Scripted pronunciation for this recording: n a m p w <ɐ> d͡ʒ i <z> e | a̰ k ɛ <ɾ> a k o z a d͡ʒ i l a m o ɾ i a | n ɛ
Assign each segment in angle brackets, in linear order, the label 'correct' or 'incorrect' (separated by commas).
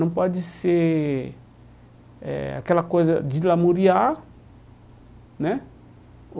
incorrect, incorrect, incorrect